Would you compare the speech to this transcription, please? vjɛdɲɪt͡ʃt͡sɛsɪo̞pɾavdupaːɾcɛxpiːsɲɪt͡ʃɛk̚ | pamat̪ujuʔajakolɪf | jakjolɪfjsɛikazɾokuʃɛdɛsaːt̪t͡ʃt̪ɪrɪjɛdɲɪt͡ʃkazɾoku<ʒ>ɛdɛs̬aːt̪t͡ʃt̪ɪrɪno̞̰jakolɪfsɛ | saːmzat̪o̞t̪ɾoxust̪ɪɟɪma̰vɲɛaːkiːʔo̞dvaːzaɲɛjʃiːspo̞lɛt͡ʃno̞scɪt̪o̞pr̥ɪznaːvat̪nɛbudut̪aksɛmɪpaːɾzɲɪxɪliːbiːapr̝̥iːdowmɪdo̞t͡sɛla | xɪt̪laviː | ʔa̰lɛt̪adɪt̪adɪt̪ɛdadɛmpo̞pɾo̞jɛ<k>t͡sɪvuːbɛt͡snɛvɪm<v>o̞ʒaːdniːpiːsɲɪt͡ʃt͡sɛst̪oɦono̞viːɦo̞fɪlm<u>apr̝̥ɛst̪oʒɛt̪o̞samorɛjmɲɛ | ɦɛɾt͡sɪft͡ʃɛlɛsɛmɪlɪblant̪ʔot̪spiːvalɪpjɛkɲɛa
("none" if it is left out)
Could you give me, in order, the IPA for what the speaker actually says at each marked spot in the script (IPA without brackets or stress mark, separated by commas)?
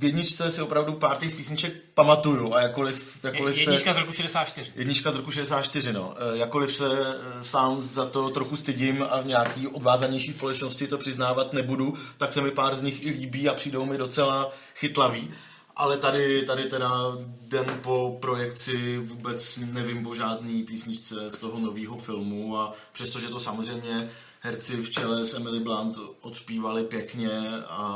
ʃ, k, v, u